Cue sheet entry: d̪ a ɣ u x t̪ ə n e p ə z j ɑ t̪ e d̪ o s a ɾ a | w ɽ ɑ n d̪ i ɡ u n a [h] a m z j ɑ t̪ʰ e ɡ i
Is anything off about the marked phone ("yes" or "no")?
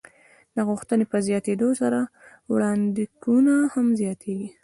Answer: no